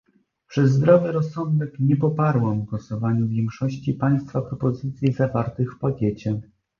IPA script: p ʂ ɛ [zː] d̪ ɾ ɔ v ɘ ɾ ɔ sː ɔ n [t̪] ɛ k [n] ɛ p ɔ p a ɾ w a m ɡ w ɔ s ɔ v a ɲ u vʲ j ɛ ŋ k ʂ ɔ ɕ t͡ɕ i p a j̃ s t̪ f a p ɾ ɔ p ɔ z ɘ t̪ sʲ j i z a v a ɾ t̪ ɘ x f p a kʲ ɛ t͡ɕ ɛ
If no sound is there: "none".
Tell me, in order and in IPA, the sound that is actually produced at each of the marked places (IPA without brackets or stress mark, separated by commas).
zː, d̪, ɲ